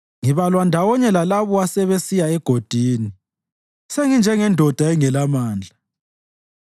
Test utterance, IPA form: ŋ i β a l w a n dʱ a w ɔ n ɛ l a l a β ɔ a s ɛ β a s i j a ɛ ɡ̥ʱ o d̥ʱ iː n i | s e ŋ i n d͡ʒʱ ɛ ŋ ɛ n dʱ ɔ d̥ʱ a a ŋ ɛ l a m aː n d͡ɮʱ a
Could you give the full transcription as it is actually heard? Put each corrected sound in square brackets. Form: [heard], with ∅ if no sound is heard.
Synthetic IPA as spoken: ŋ i β a l w a n dʱ a w ɔ [ɲ] ɛ l a l a β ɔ a s ɛ β [e] s i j a ɛ ɡ̥ʱ o d̥ʱ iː n i | s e ŋ i n d͡ʒʱ ɛ ŋ ɛ n dʱ ɔ d̥ʱ a [ɛ] ŋ ɛ l a m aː n d͡ɮʱ a

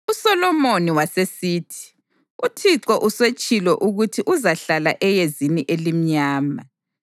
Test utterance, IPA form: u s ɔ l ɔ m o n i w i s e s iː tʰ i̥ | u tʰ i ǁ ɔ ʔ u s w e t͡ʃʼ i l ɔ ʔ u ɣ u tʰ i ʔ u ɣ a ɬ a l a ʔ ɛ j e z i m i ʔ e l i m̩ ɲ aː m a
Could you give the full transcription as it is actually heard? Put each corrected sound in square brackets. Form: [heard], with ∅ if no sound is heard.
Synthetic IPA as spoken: u s ɔ l ɔ m o n i w [a] s e s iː tʰ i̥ | u tʰ i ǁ ɔ ʔ u s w e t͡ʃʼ i l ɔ ʔ u ɣ u tʰ i ʔ u [z] a ɬ a l a ʔ ɛ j e z i [n] i ʔ e l i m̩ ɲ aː m a

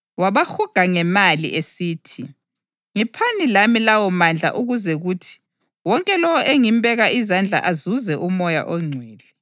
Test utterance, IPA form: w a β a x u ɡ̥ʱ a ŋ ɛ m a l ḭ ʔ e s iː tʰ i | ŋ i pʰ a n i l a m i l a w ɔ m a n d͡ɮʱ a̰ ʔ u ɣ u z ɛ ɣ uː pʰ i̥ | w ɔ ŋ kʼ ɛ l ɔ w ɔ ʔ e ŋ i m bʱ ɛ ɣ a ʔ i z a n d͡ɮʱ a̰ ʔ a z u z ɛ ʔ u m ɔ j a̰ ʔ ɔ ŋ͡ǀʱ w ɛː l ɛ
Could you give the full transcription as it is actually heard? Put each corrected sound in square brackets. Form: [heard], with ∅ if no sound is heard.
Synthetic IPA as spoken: w a β a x u ɡ̥ʱ a ŋ ɛ m a l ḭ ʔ e s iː tʰ i | ŋ i pʰ a n i l a m i l a w ɔ m a n d͡ɮʱ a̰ ʔ u ɣ u z ɛ ɣ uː [tʰ] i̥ | w ɔ ŋ kʼ ɛ l ɔ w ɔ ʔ e ŋ i m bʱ ɛ ɣ a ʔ i z a n d͡ɮʱ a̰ ʔ a z u z ɛ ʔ u m ɔ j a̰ ʔ ɔ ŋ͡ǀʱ w ɛː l ɛ

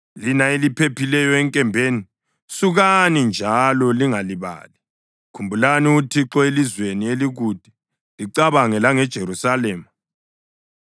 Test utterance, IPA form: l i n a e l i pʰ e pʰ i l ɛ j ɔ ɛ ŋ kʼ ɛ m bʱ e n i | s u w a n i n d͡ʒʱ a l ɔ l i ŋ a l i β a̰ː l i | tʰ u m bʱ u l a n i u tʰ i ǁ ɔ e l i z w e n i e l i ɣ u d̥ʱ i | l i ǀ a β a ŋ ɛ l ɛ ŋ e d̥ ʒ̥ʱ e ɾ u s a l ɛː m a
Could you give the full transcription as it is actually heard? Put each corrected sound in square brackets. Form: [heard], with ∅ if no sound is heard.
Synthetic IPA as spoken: l i n a e l i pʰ e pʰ i l ɛ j ɔ ɛ ŋ kʼ ɛ m bʱ e n i | s u [ɣ] a n i n d͡ʒʱ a l ɔ l i ŋ a l i β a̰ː l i | [kʰ] u m bʱ u l a n i u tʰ i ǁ ɔ e l i z w e n i e l i ɣ u d̥ʱ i | l i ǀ a β a ŋ ɛ l [a] ŋ [ɛ] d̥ ʒ̥ʱ e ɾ u s a l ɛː m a

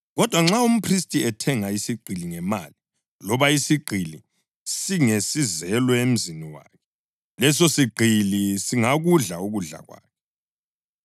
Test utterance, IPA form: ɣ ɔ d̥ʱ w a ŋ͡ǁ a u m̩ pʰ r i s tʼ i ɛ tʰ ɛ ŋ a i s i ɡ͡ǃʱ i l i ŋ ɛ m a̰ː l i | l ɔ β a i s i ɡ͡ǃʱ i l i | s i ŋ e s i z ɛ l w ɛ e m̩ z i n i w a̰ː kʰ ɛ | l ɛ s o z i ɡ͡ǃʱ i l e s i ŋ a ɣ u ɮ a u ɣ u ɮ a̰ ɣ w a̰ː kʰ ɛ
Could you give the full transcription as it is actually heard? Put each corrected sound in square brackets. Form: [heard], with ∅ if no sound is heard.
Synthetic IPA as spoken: ɣ ɔ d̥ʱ w a ŋ͡ǁ a u m̩ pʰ r i s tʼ i ɛ tʰ ɛ ŋ a i s i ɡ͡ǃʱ i l i ŋ ɛ m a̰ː l i | l ɔ β a i s i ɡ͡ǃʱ i l i | s i ŋ e s i z ɛ l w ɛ e m̩ z i n i w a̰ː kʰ ɛ | l ɛ s o [s] i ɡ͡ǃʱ i l [i] s i ŋ a ɣ u ɮ a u ɣ u ɮ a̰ ɣ w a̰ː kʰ ɛ

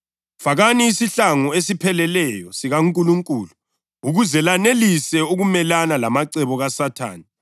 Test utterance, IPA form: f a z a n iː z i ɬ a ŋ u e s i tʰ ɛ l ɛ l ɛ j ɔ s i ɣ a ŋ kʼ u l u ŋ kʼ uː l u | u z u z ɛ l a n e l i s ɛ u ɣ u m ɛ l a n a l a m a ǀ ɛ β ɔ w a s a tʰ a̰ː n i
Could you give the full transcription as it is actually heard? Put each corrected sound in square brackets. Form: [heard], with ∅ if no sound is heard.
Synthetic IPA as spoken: f a [ɣ] a n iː [s] i ɬ a ŋ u e s i [pʰ] ɛ l ɛ l ɛ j ɔ s i ɣ a ŋ kʼ u l u ŋ kʼ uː l u | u [ɣ] u z ɛ l a n e l i s ɛ u ɣ u m ɛ l a n a l a m a ǀ ɛ β ɔ [ɣ] a s a tʰ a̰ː n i

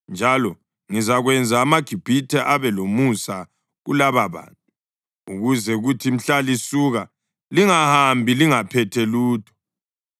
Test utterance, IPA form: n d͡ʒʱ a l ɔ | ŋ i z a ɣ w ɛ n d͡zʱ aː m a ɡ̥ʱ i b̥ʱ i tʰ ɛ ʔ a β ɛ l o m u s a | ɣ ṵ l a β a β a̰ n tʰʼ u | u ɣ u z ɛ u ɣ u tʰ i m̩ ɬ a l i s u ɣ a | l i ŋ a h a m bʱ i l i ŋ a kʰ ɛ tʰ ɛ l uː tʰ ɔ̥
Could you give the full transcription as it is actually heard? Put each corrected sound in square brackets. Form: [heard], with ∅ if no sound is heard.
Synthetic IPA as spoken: n d͡ʒʱ a l ɔ | ŋ i z a ɣ w ɛ n d͡zʱ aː m a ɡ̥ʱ i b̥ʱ i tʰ ɛ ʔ a β ɛ l o m u s a | ɣ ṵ l a β a β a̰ n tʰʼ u | u ɣ u z ɛ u ɣ u tʰ i m̩ ɬ a l i s u ɣ a | l i ŋ a h a m bʱ i l i ŋ a [pʰ] ɛ tʰ ɛ l uː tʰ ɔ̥

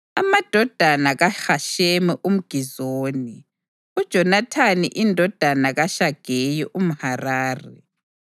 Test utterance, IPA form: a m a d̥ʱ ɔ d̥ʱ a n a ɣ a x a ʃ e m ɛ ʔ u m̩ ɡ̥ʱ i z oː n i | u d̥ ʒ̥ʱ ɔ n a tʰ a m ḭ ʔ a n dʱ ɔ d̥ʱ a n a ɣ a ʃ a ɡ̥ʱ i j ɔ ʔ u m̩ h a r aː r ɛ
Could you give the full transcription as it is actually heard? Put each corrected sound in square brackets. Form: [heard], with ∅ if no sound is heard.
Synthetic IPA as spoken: a m a d̥ʱ ɔ d̥ʱ a n a ɣ a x a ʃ e m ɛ ʔ u m̩ ɡ̥ʱ i z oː n i | u d̥ ʒ̥ʱ ɔ n a tʰ a [n] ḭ ʔ [i] n dʱ ɔ d̥ʱ a n a ɣ a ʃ a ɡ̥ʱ [e] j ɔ ʔ u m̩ h a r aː r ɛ

